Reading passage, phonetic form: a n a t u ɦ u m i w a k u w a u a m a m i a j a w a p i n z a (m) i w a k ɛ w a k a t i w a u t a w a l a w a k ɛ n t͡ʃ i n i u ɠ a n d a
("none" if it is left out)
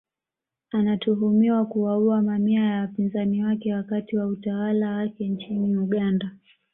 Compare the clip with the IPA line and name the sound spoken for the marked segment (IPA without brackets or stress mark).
n